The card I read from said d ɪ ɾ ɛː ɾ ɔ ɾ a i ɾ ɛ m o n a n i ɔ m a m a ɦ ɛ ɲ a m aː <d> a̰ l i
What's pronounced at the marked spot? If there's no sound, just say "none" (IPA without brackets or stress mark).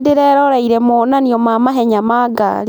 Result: ɡ